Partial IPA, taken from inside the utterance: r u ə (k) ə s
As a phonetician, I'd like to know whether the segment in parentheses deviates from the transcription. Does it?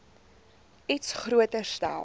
yes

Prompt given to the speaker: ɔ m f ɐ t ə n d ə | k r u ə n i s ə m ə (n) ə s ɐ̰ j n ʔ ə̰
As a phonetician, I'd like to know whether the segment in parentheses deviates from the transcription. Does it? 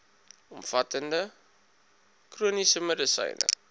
yes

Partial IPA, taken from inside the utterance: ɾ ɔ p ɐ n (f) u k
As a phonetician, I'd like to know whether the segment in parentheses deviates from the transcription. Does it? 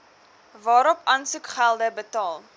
yes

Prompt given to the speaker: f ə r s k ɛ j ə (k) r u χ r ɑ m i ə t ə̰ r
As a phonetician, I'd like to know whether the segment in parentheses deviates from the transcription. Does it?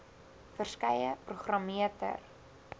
yes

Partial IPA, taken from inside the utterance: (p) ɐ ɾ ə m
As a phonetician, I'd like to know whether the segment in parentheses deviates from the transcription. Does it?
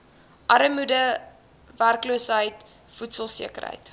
yes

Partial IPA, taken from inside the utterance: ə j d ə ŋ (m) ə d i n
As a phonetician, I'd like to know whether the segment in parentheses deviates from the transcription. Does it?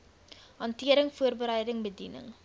yes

